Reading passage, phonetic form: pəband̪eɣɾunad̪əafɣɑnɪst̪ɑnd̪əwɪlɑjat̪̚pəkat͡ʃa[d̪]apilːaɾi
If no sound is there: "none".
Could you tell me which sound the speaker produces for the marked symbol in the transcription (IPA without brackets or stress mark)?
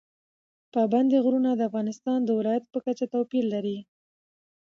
t̪